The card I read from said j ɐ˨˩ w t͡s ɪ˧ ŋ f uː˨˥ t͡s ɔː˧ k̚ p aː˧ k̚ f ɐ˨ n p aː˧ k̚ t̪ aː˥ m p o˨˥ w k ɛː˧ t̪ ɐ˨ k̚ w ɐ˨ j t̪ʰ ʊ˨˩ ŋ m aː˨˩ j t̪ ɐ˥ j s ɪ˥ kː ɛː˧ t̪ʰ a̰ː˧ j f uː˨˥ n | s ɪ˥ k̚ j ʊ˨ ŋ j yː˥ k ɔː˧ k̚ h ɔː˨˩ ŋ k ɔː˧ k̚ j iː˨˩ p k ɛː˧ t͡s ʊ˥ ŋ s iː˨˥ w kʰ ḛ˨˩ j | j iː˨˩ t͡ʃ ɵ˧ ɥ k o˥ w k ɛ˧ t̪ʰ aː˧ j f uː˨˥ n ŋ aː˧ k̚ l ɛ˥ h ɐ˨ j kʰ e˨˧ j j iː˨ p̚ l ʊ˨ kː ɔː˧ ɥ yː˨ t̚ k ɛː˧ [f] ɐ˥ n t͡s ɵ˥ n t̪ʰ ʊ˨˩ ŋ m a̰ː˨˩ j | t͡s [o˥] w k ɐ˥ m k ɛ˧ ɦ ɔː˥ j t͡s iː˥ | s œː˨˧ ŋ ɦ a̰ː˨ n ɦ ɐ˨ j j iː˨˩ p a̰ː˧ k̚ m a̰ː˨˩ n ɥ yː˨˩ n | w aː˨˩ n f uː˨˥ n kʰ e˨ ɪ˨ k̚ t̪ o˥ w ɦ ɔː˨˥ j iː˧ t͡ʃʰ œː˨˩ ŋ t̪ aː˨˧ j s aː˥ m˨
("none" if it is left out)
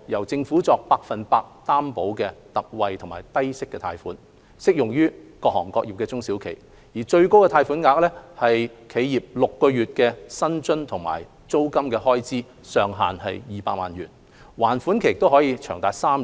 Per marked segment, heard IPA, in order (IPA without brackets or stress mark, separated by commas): s, o˥